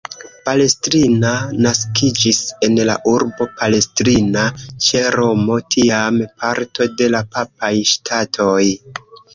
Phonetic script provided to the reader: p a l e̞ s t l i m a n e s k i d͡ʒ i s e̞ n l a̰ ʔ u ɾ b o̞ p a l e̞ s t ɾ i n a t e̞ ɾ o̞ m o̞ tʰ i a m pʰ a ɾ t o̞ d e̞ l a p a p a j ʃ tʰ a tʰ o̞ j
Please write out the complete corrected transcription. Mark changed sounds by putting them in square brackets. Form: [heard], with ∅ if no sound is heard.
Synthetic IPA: p a l e̞ s t [ɾ] i [n] a n [a] s k i d͡ʒ i s e̞ n l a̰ ʔ u ɾ b o̞ p a l e̞ s t ɾ i n a [t͡ʃ] e̞ ɾ o̞ m o̞ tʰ i a m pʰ a ɾ t o̞ d e̞ l a p a p a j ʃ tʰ a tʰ o̞ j